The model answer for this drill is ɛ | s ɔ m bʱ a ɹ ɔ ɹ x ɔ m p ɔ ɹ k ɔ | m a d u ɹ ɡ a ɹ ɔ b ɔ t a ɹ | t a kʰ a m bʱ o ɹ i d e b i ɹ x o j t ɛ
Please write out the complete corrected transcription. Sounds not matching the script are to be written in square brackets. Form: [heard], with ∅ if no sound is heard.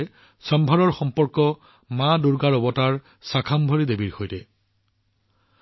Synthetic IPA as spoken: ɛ | s ɔ m bʱ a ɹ ɔ ɹ x ɔ m p ɔ ɹ k ɔ | m a d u ɹ ɡ a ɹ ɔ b ɔ t a ɹ | [s] a kʰ a m bʱ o ɹ i d e b i ɹ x o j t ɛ